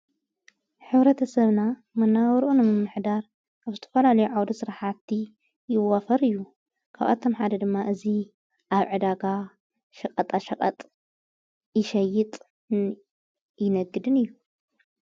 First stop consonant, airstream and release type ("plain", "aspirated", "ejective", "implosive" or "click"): aspirated